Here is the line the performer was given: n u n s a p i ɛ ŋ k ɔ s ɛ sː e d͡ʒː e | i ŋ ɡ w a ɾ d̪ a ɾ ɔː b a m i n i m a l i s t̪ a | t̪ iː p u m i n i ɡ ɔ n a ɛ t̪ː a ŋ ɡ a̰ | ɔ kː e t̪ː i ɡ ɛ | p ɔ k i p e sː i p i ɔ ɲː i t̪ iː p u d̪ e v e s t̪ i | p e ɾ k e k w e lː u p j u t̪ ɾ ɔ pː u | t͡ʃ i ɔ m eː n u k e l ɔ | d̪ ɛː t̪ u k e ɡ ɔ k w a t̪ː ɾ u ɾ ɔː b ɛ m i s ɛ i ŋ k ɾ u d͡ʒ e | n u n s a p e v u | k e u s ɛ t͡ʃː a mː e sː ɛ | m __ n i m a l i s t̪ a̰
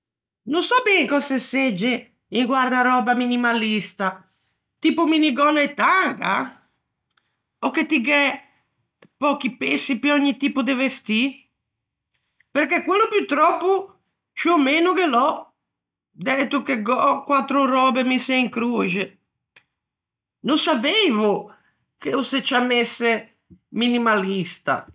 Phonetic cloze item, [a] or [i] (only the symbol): i